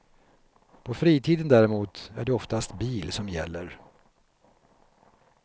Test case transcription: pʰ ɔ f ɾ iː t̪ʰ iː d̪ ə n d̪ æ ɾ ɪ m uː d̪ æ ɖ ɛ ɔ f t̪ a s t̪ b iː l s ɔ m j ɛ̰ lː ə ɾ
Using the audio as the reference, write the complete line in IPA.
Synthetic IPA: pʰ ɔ f ɾ iː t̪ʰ iː d̪ ə n d̪ æ ɾ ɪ m uː t̪ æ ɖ ɛ ɔ f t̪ a s t̪ b iː l s ɔ m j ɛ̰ lː ə ɾ